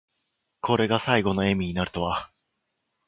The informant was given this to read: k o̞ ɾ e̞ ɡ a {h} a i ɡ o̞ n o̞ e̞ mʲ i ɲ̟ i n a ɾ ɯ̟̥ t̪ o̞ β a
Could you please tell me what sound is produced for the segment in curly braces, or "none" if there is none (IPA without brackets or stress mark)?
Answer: s